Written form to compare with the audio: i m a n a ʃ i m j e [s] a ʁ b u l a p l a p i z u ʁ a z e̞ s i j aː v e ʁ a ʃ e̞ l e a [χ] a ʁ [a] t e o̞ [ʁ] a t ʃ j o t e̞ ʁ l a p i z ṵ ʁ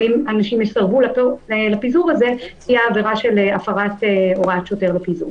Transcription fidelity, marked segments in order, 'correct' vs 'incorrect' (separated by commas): correct, incorrect, correct, correct